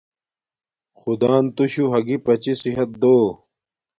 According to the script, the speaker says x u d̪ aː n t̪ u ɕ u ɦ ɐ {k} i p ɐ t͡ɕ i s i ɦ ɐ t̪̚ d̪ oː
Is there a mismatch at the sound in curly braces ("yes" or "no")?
yes